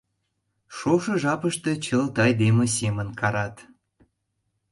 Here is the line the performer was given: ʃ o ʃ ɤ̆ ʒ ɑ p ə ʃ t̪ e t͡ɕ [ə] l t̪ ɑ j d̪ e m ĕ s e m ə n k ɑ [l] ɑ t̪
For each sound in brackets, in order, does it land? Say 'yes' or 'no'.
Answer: yes, no

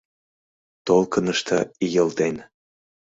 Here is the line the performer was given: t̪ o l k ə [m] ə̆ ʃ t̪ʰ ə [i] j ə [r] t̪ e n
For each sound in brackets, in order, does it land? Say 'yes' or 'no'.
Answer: no, yes, no

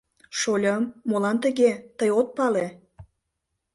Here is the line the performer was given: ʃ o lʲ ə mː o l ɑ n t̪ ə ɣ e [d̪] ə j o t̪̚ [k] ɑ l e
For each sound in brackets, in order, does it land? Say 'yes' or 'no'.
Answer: no, no

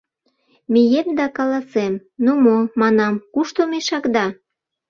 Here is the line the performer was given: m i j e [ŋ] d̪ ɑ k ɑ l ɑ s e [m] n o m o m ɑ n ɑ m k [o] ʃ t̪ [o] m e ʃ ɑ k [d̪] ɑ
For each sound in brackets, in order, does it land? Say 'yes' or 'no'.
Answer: no, yes, no, yes, yes

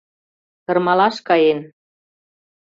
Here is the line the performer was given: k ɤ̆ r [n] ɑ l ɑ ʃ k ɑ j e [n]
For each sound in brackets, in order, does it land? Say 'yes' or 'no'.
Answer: no, yes

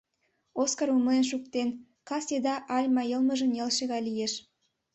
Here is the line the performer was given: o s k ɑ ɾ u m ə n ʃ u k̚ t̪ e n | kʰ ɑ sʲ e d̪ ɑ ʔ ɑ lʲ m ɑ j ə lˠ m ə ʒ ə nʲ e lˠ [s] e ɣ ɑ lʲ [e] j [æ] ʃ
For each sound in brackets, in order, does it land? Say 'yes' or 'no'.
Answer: no, no, no

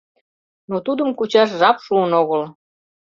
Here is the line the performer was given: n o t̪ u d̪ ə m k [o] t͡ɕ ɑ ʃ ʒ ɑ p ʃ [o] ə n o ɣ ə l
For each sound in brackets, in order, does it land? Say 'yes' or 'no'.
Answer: no, no

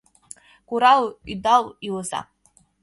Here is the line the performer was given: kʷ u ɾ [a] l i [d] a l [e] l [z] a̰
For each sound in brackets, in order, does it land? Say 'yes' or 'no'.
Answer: yes, yes, no, yes

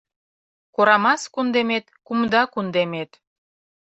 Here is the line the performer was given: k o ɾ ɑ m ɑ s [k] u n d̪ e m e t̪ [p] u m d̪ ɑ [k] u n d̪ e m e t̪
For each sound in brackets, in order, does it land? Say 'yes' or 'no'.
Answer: yes, no, yes

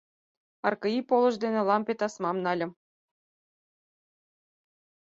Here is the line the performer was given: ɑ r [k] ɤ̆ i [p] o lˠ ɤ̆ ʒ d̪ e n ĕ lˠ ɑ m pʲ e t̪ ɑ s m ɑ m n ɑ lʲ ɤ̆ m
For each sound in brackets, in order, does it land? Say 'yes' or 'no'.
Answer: yes, yes

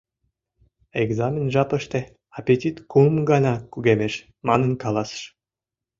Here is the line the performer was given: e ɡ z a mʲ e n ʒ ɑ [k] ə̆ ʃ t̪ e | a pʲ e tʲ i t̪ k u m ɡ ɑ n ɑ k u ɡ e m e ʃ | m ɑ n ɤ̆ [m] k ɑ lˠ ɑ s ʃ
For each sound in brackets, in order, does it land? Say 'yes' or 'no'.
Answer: no, no

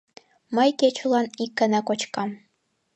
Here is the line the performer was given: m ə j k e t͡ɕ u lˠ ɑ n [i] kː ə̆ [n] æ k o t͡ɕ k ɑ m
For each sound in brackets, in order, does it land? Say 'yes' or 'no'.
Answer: yes, yes

